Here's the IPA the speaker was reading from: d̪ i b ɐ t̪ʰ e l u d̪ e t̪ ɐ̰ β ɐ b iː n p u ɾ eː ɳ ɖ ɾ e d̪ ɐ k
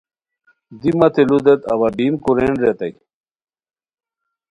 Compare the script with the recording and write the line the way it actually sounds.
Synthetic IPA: d̪ i m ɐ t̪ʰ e l u d̪ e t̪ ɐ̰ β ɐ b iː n k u ɾ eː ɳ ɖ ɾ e t̪ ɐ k

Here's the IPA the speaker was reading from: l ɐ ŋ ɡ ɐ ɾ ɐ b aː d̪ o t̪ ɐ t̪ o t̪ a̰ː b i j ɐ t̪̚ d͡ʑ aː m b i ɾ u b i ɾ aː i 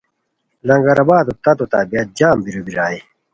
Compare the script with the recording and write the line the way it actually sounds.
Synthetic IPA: l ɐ ŋ ɡ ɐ ɾ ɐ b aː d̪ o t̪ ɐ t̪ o t̪ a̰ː b i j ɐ t̪̚ d͡ʑ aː m b i ɾ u b i ɾ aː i

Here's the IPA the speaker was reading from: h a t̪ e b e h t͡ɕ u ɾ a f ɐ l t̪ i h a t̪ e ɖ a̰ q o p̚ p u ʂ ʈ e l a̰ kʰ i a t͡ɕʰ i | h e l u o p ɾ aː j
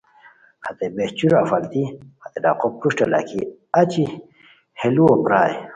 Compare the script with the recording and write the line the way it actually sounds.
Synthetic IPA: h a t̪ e b e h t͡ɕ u ɾ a f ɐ l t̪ i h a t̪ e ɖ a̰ q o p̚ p u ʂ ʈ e l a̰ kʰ i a t͡ɕ i | h e l u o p ɾ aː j

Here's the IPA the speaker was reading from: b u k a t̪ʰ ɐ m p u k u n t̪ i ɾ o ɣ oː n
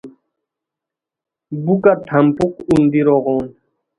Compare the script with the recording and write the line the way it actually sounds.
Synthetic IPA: b u k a t̪ʰ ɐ m p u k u n d̪ i ɾ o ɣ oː n

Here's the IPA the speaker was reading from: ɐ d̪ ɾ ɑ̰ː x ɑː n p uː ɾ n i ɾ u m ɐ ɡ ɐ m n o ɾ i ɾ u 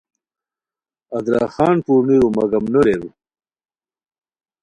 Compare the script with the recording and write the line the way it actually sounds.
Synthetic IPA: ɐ d̪ ɾ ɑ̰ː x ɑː n p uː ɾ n i ɾ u m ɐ ɡ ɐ m n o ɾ e ɾ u

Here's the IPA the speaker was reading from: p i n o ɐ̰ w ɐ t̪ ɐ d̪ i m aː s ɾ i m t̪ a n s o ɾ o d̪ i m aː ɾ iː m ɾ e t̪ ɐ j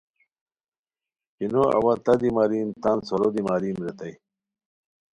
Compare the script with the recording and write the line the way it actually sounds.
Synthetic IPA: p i n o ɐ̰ w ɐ t̪ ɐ d̪ i m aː ɾ i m t̪ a n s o ɾ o d̪ i m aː ɾ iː m ɾ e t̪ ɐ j

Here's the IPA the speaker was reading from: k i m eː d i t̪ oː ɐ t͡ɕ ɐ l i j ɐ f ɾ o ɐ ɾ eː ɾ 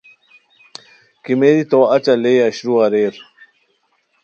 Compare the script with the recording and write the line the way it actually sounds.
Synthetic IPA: k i m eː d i t̪ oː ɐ t͡ɕ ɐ l e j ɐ ɕ ɾ u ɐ ɾ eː ɾ

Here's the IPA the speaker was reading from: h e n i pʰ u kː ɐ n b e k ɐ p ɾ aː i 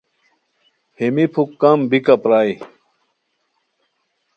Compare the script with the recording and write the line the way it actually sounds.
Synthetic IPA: h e m i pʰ u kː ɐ m b i k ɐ p ɾ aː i

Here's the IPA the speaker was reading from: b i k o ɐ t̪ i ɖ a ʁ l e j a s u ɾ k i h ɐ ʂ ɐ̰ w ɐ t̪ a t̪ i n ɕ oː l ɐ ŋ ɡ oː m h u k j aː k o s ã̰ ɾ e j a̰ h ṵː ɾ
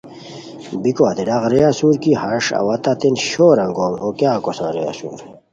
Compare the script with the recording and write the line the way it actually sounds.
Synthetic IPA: b i k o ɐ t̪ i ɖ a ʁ ɾ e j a s u ɾ k i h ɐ ʂ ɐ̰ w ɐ t̪ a t̪ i n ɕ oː ɾ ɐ ŋ ɡ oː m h o k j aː k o s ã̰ ɾ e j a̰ s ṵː ɾ

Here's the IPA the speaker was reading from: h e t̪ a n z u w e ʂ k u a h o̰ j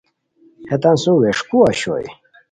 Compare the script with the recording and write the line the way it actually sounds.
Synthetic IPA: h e t̪ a n s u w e ʂ k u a ɕ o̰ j

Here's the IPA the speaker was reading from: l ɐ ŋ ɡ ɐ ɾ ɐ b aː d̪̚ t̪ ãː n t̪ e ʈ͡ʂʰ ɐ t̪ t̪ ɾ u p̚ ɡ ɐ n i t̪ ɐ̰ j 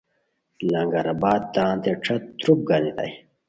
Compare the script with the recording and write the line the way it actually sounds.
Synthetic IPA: l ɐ ŋ ɡ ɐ ɾ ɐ b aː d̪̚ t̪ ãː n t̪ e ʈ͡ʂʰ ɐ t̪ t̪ ɾ u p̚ ɡ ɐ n i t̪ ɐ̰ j

